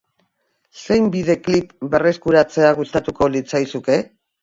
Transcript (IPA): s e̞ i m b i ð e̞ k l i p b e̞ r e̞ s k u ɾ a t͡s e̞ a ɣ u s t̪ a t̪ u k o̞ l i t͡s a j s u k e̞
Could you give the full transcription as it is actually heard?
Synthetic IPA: s e̞ j m b i ð e̞ k l i p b e̞ r e̞ s k u ɾ a t͡s e̞ a ɣ u s t̪ a t̪ u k o̞ l i t͡s a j s u k e̞

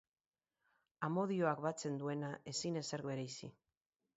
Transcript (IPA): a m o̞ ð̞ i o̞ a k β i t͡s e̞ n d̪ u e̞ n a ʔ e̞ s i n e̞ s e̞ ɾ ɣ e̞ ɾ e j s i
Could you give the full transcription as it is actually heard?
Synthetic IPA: a m o̞ ð̞ i o̞ a k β a t͡s e̞ n d̪ u e̞ n a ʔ e̞ s i n e̞ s e̞ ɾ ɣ e̞ ɾ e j s i

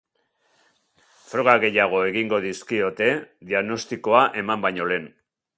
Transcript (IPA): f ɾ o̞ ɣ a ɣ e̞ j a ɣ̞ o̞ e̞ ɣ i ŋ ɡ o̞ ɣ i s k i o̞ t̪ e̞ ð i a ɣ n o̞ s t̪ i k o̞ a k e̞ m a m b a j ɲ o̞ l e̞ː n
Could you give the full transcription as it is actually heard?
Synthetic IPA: f ɾ o̞ ɣ a ɣ e̞ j a ɣ̞ o̞ e̞ ɣ i ŋ ɡ o̞ ð i s k i o̞ t̪ e̞ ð i a ɣ n o̞ s t̪ i k o̞ a ʔ e̞ m a m b a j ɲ o̞ l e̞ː n

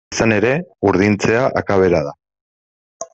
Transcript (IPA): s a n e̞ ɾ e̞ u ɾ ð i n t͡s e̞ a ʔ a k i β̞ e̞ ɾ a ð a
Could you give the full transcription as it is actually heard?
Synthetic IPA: s a n e̞ ɾ e̞ u ɾ ð i n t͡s e̞ a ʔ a k a β̞ e̞ ɾ a ð a

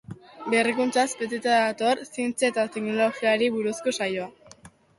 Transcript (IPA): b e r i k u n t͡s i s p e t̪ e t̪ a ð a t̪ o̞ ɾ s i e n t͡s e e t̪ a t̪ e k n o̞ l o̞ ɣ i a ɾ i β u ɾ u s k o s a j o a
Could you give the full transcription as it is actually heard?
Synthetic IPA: b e r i k u n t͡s a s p e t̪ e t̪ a ð a t̪ o̞ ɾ s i e n t͡s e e t̪ a t̪ e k n o̞ l o̞ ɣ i a ɾ i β u ɾ u s k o s a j o a

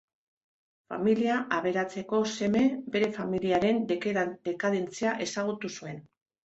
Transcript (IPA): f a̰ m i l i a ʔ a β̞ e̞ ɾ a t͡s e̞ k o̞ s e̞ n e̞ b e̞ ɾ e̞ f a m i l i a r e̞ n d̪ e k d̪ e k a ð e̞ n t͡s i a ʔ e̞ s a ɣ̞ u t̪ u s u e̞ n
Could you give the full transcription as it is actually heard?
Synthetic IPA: f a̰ m i l i a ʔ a β̞ e̞ ɾ a t͡s e̞ k o̞ s e̞ m e̞ b e̞ ɾ e̞ f a m i l i a ɾ e̞ n d̪ e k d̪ e k a ð e̞ n t͡s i a ʔ e̞ s a ɣ̞ u t̪ u s u e̞ n

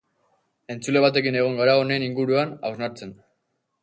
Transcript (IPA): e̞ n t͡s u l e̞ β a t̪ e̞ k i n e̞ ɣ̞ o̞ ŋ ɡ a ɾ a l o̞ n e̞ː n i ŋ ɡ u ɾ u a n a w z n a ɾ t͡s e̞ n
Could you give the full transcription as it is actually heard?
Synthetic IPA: e̞ n t͡s u l e̞ β a t̪ e̞ k i n e̞ ɣ̞ o̞ ŋ ɡ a ɾ a o̞ n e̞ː n i ŋ ɡ u ɾ u a n a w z n a ɾ t͡s e̞ n

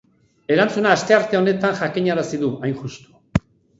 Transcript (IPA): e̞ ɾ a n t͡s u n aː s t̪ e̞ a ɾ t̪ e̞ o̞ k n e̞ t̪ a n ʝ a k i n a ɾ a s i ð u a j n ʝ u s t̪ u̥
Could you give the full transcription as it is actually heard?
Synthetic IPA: e̞ ɾ a n t͡s u n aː s t̪ e̞ a ɾ t̪ e̞ o̞ n e̞ t̪ a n ʝ a k i ɲ a ɾ a s i ð u a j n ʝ u s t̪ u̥

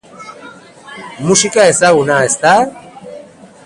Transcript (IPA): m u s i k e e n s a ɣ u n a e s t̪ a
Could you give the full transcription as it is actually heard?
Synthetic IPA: m u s i k a e s a ɣ u n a e s t̪ a

